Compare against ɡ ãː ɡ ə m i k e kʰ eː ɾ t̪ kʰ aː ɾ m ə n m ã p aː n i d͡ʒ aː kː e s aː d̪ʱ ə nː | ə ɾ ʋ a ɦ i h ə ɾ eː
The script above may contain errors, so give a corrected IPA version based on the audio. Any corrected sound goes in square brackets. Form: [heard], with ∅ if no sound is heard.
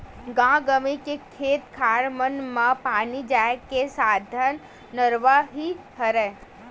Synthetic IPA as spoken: ɡ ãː ɡ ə m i k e kʰ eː [∅] t̪ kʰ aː ɾ m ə n m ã p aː n i d͡ʒ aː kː e s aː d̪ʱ ə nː | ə ɾ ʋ a ɦ i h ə ɾ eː